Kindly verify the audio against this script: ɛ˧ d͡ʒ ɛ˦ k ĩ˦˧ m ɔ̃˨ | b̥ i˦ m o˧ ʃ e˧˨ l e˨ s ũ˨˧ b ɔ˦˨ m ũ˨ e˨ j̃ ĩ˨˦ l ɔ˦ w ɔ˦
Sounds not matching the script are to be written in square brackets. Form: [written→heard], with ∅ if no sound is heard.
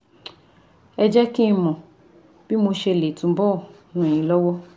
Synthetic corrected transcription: ɛ˧ d͡ʒ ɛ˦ k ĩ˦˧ m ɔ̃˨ | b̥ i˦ m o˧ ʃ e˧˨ l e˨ [s→t] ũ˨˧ b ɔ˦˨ [m→n] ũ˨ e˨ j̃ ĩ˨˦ l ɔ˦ w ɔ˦